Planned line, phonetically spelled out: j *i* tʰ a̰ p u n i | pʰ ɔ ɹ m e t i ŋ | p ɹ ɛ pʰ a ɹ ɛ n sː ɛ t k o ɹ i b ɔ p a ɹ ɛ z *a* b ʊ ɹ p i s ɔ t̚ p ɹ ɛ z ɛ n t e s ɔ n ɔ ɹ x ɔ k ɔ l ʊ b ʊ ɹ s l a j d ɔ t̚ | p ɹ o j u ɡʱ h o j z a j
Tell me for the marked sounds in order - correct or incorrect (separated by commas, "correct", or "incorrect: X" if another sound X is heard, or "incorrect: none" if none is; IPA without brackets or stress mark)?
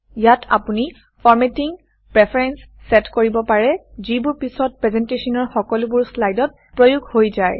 incorrect: a, incorrect: i